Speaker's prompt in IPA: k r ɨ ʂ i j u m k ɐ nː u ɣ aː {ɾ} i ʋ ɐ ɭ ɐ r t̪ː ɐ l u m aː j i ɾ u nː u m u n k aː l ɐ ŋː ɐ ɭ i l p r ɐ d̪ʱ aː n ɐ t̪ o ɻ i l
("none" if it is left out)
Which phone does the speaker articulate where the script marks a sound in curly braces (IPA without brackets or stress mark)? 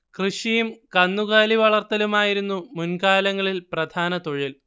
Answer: l